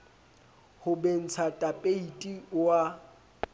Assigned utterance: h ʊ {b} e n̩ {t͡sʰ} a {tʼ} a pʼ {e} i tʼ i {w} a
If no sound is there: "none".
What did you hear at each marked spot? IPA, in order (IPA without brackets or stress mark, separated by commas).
b, t͡sʰ, tʼ, e, w